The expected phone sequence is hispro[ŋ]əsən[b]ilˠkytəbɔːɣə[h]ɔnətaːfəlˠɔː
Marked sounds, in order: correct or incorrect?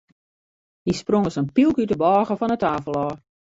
correct, incorrect, incorrect

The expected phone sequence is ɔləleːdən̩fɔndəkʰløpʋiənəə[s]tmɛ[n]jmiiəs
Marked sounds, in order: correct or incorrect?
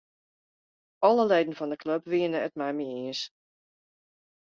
incorrect, incorrect

